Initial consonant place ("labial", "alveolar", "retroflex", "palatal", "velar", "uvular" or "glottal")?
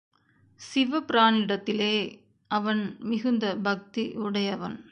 alveolar